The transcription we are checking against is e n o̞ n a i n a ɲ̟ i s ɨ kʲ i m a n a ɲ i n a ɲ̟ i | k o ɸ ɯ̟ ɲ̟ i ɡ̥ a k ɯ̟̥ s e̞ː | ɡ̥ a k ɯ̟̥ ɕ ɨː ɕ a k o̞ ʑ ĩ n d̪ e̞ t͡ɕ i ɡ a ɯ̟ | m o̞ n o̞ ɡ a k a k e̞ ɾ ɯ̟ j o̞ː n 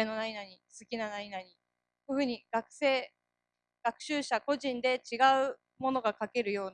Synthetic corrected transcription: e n o̞ n a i n a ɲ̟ i s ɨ kʲ i n a n a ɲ i n a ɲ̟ i | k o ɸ ɯ̟ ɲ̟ i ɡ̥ a k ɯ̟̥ s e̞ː | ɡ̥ a k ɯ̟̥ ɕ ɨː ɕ a k o̞ ʑ ĩ n d̪ e̞ t͡ɕ i ɡ a ɯ̟ | m o̞ n o̞ ɡ a k a k e̞ ɾ ɯ̟ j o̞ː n